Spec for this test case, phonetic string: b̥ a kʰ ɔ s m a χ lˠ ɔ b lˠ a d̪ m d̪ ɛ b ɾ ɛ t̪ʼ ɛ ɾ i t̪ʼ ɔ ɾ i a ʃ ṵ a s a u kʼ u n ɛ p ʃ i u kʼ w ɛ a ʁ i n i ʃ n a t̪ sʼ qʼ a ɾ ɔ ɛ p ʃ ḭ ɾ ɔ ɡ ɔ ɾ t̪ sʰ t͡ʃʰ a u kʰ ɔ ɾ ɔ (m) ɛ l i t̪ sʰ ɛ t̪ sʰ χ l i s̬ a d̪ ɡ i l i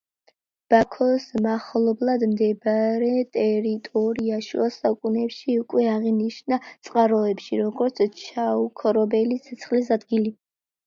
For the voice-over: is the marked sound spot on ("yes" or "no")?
no